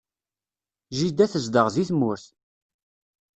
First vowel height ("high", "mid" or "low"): high